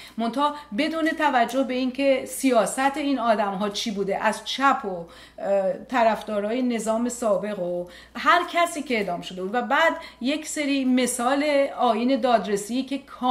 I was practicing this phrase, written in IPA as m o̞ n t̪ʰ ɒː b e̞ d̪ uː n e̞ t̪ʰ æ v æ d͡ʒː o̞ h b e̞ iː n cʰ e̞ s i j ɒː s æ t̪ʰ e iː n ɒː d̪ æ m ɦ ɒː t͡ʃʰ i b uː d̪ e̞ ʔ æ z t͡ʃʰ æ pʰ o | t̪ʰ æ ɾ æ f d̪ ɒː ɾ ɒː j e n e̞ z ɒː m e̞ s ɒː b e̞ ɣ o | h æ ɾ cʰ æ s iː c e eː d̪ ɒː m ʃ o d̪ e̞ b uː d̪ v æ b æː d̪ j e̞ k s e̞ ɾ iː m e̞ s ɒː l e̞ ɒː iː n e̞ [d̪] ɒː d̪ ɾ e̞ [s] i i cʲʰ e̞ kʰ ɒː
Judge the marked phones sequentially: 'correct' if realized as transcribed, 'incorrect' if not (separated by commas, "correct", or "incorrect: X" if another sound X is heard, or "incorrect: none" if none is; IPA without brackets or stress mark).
correct, correct